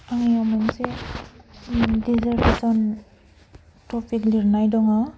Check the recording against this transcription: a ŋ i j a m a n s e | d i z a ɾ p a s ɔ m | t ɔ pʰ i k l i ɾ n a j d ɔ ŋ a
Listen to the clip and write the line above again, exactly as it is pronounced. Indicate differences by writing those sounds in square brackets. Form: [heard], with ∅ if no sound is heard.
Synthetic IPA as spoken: a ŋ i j a m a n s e | d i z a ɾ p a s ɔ [n] | t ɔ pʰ i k l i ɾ n a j d ɔ ŋ a